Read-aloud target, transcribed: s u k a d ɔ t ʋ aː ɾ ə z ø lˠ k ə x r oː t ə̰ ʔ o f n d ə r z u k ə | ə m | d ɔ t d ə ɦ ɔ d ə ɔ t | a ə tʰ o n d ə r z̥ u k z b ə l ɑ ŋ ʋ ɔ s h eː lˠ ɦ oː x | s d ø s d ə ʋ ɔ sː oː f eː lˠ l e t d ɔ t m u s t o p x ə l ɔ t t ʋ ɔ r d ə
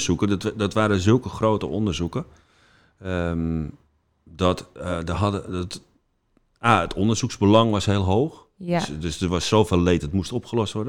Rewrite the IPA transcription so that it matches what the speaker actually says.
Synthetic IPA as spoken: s u k ə d ɔ t ʋ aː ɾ ə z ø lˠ k ə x r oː t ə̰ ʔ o n d ə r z u k ə | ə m | d ɔ t d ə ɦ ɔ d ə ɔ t | a ə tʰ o n d ə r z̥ u k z b ə l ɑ ŋ ʋ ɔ s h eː lˠ ɦ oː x | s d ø s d ə ʋ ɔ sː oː f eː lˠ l e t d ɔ t m u s t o p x ə l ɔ s t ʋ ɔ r d ə